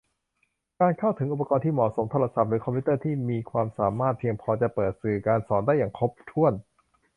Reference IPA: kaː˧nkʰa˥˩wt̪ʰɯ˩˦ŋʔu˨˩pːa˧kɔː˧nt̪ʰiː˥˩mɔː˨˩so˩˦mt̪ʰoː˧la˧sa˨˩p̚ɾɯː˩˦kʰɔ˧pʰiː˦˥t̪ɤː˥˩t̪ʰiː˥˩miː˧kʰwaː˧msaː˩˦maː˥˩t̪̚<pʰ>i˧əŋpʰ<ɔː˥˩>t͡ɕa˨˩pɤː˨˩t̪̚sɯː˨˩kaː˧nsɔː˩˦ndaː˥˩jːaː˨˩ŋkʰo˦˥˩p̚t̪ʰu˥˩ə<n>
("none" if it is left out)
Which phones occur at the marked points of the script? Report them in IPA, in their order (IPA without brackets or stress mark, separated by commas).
pʰ, ɔː˧, n